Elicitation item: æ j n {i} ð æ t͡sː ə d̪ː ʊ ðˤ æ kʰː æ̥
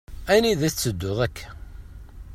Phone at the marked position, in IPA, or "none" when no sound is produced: i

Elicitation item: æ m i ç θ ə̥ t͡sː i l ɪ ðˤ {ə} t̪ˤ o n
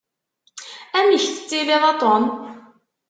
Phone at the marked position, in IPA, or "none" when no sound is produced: ɑ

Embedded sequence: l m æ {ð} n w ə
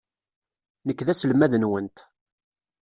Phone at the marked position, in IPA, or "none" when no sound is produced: ð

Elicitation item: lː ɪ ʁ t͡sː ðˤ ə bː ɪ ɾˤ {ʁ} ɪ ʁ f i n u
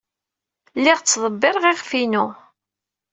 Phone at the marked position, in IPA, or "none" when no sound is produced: ʁ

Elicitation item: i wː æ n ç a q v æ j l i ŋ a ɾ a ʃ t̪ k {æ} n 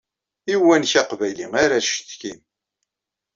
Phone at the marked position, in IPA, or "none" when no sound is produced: i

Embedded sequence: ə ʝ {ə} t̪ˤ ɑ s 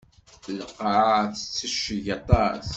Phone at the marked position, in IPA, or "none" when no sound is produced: ɑ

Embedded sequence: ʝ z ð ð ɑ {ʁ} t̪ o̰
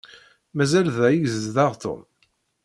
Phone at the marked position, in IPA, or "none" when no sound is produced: ʁ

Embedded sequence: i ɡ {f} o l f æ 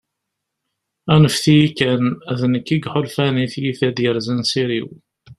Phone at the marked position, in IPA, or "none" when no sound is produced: ħ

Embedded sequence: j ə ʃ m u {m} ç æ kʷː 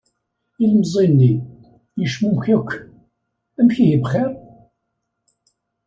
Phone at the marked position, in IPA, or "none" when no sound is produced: m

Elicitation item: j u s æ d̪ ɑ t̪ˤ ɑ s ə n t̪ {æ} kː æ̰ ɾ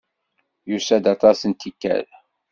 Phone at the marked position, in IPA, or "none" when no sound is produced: i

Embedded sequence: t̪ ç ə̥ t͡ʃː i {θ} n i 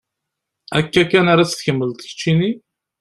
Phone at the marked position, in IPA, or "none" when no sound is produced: none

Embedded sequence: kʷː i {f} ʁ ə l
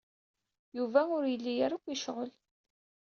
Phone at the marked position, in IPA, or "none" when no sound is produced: ʃ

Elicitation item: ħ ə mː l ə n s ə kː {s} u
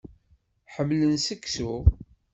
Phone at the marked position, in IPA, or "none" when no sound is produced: s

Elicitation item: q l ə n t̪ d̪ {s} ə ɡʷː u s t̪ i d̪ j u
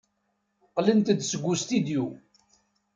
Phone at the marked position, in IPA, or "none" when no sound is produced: s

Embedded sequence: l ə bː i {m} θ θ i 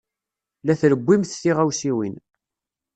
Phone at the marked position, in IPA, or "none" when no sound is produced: m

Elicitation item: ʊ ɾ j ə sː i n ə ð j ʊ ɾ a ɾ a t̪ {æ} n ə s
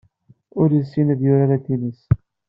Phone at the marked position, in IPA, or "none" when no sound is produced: i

